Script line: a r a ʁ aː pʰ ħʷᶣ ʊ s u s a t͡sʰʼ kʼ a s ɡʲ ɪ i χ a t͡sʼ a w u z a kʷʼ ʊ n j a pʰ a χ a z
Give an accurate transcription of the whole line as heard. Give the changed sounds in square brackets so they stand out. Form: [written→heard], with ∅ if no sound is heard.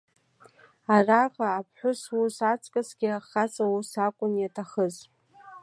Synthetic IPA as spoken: a r a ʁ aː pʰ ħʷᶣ ʊ s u s a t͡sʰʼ kʼ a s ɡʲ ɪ [i→a] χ a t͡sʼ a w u [z→s] a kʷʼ ʊ n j a [pʰ→tʰ] a χ [a→ə] z